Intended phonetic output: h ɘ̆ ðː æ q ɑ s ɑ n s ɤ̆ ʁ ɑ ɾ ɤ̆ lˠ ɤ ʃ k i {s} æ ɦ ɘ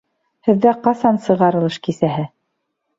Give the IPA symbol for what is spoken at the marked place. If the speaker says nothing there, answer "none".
s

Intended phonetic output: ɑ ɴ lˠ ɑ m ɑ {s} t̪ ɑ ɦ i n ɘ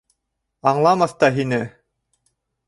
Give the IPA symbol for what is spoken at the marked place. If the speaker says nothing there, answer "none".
θ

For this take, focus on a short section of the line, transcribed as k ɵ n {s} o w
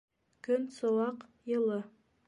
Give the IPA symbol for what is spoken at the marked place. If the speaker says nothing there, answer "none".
s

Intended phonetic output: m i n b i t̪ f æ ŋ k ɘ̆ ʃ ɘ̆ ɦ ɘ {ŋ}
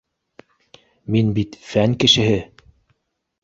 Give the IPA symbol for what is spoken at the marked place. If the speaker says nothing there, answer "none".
none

